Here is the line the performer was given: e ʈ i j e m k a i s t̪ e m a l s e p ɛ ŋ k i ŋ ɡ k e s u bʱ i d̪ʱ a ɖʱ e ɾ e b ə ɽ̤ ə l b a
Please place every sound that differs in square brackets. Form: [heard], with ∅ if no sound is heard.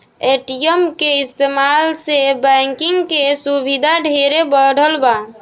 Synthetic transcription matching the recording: e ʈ i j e m k [e] i s t̪ e m a l s e [b] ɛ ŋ k i ŋ ɡ k e s u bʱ i d̪ʱ a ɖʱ e ɾ e b ə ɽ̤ ə l b a